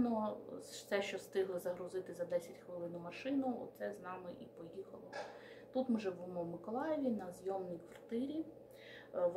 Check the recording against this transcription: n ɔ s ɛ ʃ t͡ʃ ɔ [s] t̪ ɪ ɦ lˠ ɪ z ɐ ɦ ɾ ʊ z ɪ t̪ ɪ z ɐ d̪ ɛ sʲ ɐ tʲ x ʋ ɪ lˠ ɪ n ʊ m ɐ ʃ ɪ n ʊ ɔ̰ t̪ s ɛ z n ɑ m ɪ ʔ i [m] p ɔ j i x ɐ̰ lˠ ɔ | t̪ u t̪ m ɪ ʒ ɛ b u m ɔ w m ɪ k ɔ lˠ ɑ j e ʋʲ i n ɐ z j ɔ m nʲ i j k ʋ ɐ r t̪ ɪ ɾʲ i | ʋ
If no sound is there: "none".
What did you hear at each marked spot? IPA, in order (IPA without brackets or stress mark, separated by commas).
s, none